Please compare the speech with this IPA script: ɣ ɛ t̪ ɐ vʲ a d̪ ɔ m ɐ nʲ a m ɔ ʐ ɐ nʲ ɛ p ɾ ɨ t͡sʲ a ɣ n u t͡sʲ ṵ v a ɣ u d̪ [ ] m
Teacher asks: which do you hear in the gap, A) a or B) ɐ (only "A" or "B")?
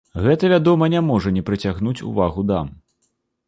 A